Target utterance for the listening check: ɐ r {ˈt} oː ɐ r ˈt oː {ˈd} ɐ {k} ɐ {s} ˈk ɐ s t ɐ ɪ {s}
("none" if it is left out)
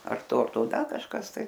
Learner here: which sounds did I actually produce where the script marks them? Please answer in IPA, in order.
t, d, k, ʃ, none

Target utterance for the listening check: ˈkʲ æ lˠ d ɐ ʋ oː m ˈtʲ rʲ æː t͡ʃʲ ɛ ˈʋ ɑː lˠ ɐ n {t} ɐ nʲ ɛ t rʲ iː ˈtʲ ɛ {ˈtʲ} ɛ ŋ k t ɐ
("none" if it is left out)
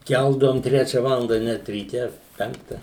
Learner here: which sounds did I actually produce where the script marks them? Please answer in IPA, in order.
d, pʲ

